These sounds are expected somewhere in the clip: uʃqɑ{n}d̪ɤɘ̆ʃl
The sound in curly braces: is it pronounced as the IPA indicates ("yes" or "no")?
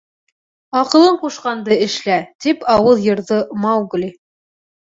yes